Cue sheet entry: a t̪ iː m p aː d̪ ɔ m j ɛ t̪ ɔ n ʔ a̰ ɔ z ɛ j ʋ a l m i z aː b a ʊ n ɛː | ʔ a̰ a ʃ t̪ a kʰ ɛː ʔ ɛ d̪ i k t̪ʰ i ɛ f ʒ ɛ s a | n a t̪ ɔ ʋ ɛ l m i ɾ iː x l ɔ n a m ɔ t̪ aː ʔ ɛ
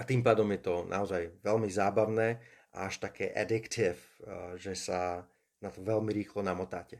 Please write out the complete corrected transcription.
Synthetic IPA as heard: a t̪ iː m p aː d̪ ɔ m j ɛ t̪ ɔ n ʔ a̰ ɔ z a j ʋ ɛ l m i z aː b a ʊ n ɛː | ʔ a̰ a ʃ t̪ a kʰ ɛː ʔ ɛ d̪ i k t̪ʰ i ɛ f ʒ ɛ s a | n a t̪ ɔ ʋ ɛ l m i ɾ iː x l ɔ n a m ɔ t̪ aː c ɛ